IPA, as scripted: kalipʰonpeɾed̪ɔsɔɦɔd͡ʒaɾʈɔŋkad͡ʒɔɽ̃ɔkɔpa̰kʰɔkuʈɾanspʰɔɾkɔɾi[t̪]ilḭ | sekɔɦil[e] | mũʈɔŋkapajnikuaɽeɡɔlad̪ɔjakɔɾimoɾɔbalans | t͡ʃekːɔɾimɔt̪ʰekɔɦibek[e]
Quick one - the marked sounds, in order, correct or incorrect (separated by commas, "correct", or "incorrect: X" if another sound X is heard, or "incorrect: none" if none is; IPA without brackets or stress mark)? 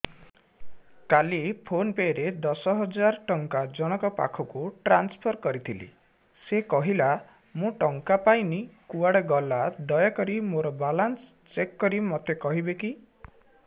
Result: incorrect: t̪ʰ, incorrect: a, incorrect: i